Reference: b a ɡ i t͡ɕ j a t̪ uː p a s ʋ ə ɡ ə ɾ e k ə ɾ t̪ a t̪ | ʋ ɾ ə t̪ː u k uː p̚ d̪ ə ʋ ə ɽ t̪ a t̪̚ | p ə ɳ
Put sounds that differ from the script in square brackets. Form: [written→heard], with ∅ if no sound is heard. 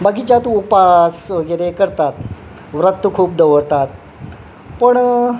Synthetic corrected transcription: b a ɡ i t͡ɕ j a t̪ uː p a s ʋ ə ɡ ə ɾ e k ə ɾ t̪ a t̪ | ʋ ɾ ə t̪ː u [k→kʰ] uː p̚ d̪ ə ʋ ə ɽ t̪ a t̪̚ | p ə ɳ